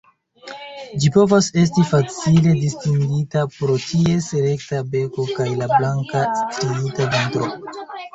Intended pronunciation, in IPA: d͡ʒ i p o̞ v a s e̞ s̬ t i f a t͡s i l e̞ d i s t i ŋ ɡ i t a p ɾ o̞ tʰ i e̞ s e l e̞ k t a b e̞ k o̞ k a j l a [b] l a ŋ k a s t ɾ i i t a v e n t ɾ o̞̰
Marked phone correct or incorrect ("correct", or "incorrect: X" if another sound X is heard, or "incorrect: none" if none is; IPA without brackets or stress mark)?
correct